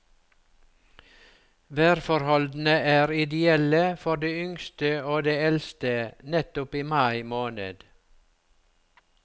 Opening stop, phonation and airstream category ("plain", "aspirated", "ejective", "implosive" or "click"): plain